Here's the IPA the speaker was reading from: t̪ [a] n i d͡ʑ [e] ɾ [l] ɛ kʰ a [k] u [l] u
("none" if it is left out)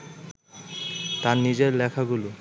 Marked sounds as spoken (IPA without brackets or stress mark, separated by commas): a, e, l, ɡ, l